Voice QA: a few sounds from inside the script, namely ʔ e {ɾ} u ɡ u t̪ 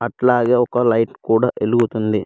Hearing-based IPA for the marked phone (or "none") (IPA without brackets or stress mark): l